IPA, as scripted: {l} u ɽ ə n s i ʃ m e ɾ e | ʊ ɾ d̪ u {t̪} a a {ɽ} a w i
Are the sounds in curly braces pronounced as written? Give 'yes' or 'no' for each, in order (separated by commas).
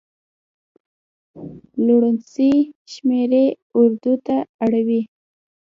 yes, yes, yes